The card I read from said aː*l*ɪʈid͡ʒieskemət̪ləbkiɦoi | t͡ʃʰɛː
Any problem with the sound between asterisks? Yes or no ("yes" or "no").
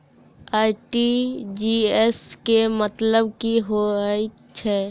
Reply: yes